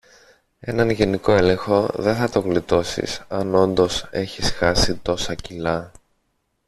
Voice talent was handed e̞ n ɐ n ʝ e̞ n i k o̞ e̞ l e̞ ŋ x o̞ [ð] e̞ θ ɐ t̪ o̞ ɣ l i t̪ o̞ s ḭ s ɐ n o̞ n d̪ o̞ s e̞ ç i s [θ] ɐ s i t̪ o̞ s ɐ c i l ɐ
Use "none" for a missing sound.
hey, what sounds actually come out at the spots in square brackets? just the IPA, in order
ð, x

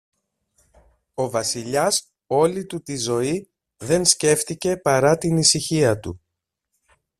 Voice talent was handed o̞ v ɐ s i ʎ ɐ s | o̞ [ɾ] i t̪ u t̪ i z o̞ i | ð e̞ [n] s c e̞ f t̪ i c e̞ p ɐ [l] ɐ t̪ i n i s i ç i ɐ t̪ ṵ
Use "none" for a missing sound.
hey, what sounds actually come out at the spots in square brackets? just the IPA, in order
l, n, ɾ

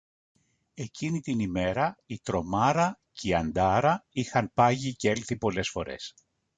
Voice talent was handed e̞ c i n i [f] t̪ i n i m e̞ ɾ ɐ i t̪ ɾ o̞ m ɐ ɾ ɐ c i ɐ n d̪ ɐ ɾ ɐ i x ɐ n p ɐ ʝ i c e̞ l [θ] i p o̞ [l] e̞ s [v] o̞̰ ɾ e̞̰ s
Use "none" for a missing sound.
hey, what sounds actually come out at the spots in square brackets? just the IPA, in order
none, θ, l, f

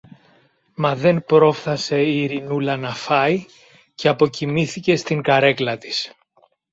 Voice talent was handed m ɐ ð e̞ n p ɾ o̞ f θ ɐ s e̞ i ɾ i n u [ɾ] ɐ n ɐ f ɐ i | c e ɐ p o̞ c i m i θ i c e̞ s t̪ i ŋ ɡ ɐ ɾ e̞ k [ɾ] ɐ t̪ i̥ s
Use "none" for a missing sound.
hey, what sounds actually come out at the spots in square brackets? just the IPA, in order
l, l

